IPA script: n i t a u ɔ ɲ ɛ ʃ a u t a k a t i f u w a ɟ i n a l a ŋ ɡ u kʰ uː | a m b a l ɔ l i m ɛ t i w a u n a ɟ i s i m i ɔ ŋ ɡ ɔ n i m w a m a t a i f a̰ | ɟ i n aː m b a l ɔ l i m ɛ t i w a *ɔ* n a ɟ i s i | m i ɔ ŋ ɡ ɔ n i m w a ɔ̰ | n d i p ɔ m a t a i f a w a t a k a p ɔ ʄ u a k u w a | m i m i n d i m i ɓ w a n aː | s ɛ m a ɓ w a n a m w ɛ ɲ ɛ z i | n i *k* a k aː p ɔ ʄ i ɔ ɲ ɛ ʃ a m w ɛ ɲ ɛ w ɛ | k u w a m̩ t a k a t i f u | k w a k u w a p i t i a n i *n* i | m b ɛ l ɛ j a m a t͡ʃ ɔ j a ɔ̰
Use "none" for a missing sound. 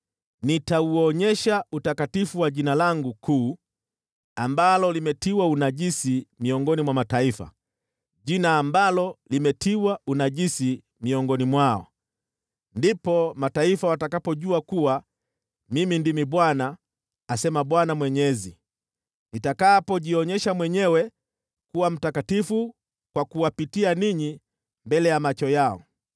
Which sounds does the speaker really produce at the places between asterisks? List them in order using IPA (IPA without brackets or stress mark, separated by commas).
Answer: u, t, ɲ